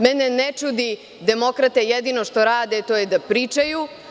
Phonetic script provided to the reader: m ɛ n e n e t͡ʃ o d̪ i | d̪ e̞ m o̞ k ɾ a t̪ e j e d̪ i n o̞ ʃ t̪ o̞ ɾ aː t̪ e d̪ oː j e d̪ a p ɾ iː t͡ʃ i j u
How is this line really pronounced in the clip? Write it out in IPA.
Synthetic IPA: m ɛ n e n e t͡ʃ u d̪ i | d̪ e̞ m o̞ k ɾ a t̪ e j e d̪ i n o̞ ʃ t̪ o̞ ɾ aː d̪ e t̪ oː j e d̪ a p ɾ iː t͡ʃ a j u